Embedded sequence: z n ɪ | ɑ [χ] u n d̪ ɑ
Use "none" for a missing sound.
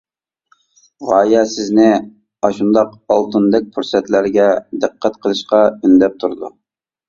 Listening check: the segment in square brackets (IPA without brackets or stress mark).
ʃ